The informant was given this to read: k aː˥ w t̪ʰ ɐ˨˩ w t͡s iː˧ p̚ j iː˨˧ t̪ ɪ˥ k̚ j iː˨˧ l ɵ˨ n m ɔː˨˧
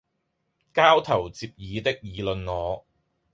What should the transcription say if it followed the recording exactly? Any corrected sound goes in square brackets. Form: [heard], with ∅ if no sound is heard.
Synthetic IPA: k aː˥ w t̪ʰ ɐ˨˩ w t͡s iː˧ p̚ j iː˨˧ t̪ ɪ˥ k̚ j iː˨˧ l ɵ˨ n [ŋ] ɔː˨˧